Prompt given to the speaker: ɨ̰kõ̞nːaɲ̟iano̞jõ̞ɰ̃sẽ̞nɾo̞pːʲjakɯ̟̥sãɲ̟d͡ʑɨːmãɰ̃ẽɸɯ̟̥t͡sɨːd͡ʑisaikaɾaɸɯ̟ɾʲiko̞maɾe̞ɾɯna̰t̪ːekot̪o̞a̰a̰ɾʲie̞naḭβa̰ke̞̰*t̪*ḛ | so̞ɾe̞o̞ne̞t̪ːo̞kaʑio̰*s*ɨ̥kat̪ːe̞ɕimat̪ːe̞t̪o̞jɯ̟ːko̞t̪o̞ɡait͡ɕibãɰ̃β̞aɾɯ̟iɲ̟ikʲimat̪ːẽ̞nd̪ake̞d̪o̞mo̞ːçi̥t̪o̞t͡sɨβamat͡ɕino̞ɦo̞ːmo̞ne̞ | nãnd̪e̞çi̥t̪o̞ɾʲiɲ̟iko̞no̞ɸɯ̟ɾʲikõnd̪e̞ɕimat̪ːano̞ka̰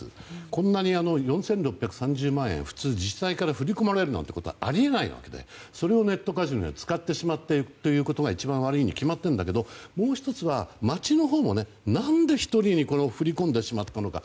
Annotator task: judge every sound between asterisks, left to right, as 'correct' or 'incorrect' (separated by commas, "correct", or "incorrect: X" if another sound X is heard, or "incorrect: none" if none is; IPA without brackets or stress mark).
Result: incorrect: d̪, incorrect: t͡s